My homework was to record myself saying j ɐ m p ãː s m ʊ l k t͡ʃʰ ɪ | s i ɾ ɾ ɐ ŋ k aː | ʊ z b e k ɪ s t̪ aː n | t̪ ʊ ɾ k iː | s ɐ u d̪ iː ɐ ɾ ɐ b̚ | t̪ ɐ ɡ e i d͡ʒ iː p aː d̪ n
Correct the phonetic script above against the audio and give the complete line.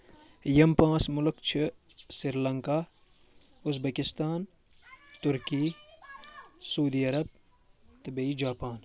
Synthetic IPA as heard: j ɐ m p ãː s m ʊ l k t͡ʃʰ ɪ | s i ɾ l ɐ ŋ k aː | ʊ z b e k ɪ s t̪ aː n | t̪ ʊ ɾ k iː | s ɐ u d̪ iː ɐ ɾ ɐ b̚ | t̪ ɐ b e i d͡ʒ aː p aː n